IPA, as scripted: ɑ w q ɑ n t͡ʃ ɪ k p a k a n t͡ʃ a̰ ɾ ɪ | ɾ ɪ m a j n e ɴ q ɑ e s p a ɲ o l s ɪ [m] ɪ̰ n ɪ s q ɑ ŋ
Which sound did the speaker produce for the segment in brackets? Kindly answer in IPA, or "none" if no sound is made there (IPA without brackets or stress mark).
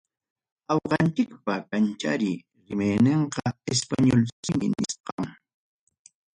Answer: m